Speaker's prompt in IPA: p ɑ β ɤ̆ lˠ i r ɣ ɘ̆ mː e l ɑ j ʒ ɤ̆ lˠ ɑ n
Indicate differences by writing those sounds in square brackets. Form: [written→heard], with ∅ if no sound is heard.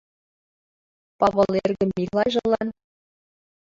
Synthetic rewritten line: p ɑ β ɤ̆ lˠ [i→e] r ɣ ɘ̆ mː [e→i] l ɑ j ʒ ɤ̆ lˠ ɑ n

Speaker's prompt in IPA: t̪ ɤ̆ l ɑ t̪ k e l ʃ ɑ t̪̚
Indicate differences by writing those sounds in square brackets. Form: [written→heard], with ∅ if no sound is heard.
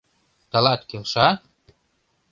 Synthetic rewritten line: t̪ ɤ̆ l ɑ t̪ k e l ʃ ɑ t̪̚

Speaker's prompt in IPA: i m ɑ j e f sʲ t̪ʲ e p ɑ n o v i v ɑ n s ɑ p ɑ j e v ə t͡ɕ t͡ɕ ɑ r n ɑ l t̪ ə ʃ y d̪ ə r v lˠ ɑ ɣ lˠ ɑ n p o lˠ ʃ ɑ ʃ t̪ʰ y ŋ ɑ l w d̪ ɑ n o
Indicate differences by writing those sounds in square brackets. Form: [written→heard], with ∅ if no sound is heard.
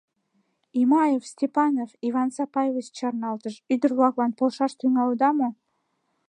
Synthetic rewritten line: i m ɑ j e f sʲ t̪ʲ e p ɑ n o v i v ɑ n s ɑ p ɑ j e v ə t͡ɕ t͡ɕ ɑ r n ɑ l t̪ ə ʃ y d̪ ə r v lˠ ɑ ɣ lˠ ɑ n p o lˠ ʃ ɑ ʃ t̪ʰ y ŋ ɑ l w d̪ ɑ [n→m] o

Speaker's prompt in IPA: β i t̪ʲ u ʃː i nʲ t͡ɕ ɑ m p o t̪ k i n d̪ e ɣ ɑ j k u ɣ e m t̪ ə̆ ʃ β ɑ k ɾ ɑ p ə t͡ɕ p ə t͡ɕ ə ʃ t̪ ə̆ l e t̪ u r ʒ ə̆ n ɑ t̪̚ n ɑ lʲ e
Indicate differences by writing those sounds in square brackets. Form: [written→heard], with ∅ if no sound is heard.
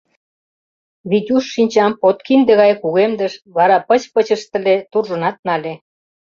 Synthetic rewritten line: β i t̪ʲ u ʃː i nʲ t͡ɕ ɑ m p o t̪ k i n d̪ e ɣ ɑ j k u ɣ e m [t̪→d̪] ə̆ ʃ β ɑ [k→∅] ɾ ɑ p ə t͡ɕ p ə t͡ɕ ə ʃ t̪ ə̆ l e t̪ u r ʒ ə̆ n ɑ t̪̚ n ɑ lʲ e

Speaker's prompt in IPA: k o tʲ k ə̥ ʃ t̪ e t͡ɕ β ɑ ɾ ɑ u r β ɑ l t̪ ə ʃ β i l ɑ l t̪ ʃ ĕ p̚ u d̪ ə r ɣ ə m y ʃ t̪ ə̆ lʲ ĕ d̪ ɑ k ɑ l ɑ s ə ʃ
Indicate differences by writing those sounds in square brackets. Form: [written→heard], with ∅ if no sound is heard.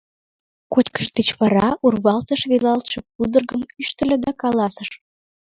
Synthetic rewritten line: k o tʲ k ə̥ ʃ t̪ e t͡ɕ β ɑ ɾ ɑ u r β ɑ l t̪ ə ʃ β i l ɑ l t̪ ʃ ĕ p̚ u d̪ ə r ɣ ə m y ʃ t̪ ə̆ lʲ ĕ d̪ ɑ k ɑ l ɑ s ə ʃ

